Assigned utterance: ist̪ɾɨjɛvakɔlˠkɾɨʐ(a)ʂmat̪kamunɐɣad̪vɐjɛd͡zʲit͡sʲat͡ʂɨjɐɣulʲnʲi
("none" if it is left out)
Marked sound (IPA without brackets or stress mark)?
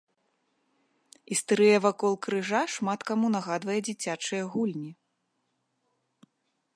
a